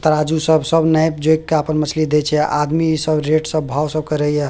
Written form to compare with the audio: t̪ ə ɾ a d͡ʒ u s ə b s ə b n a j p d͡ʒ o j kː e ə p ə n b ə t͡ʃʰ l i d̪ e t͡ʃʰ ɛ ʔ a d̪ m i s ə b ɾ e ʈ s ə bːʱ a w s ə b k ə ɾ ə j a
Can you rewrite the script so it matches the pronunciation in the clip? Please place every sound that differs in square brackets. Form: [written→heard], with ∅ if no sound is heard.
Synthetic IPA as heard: t̪ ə ɾ a d͡ʒ u s ə b s ə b n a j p d͡ʒ o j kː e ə p ə n [b→m] ə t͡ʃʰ l i d̪ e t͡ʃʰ ɛ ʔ a d̪ m i s ə b ɾ e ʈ s ə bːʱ a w s ə b k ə ɾ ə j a